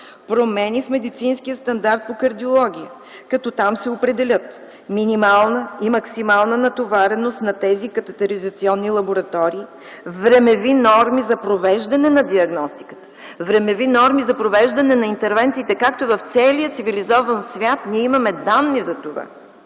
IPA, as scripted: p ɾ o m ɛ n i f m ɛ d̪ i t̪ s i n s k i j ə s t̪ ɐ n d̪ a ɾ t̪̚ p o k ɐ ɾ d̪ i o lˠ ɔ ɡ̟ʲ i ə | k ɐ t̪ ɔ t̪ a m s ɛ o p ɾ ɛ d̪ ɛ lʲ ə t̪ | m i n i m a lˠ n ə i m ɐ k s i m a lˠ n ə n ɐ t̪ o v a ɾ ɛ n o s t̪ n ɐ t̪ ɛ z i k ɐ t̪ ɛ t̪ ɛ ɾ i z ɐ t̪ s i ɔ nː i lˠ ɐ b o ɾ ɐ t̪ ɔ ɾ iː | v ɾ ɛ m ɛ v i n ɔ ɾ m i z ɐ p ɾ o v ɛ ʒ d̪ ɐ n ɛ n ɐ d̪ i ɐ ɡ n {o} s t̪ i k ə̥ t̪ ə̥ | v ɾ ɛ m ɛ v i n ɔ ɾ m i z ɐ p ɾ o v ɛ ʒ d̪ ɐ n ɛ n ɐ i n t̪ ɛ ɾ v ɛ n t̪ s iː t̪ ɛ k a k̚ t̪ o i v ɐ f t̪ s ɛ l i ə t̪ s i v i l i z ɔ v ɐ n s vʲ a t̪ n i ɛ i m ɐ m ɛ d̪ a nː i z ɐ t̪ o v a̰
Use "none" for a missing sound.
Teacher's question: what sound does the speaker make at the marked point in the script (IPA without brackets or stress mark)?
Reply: ɔ